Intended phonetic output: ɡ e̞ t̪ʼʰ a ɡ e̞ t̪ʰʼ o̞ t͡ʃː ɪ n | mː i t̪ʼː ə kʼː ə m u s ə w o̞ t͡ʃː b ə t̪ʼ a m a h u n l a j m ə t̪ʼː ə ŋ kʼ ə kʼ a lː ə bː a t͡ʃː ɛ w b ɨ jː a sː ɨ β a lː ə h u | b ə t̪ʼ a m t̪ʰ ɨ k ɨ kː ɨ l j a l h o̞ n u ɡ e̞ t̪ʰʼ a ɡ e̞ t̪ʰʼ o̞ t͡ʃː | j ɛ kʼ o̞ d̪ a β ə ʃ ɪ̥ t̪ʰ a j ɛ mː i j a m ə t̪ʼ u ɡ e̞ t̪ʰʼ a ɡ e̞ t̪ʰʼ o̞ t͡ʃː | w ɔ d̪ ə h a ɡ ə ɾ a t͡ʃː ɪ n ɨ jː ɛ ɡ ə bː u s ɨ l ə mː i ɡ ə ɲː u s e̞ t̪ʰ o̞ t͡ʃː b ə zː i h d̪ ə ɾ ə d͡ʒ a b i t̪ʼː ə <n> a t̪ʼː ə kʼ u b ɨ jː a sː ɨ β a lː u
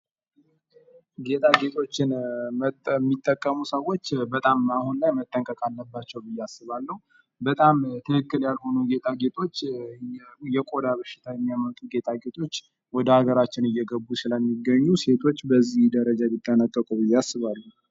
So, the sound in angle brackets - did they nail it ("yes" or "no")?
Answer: yes